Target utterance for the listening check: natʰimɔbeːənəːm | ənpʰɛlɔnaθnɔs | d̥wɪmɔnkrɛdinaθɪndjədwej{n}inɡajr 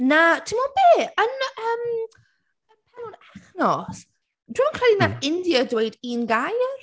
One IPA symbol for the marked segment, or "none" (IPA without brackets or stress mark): d